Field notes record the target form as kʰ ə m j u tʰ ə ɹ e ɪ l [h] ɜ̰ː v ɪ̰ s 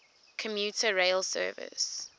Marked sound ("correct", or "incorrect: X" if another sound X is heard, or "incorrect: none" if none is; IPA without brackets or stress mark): incorrect: s